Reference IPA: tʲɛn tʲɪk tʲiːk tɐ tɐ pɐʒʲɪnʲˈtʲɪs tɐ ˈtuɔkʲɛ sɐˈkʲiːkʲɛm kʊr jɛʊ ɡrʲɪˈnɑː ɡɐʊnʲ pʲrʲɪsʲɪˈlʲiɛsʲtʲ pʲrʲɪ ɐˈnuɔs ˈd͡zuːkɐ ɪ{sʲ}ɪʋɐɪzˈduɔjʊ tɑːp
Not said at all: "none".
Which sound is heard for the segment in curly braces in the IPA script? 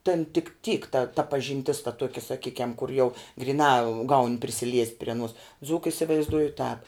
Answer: sʲ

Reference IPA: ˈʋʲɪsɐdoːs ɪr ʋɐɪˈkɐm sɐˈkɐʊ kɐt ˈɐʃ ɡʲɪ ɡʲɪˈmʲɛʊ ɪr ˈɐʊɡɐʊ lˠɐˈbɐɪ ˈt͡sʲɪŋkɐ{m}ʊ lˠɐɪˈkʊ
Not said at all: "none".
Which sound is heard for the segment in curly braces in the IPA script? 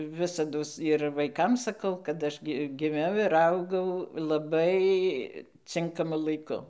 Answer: m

